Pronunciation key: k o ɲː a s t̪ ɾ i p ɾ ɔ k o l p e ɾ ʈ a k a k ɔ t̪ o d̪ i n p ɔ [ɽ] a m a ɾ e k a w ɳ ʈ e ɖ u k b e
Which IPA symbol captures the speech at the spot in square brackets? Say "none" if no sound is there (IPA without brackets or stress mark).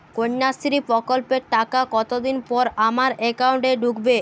ɾ